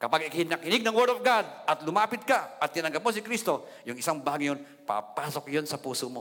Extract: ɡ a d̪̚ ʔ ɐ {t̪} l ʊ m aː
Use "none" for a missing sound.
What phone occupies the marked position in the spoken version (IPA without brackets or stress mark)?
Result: t̪